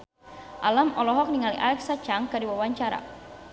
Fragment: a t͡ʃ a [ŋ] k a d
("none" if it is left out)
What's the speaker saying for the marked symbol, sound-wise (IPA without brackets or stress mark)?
ŋ